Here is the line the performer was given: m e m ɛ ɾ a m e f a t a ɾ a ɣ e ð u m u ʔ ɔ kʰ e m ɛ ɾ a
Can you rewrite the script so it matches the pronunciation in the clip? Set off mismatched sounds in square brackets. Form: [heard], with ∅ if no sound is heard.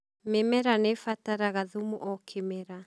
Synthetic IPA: m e m ɛ ɾ a [n] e f a t a ɾ a ɣ [a] ð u m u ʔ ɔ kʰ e m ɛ ɾ a